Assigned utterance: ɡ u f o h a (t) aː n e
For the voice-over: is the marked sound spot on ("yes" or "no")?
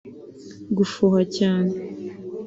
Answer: no